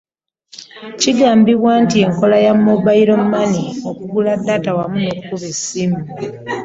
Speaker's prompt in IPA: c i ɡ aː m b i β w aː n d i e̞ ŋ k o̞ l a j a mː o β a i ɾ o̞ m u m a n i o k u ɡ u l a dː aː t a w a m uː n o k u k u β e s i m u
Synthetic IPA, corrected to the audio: c i ɡ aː m b i β w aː n t i e̞ ŋ k o̞ l a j a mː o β a i ɾ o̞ m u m a n i o k u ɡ u l a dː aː t a w a m u n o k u k u β e s i m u